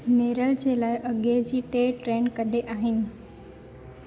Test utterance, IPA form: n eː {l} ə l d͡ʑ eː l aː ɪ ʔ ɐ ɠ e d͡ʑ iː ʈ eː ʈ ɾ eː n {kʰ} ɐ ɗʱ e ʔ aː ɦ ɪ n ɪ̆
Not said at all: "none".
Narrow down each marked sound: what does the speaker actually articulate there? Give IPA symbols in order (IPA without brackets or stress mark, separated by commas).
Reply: ɾ, k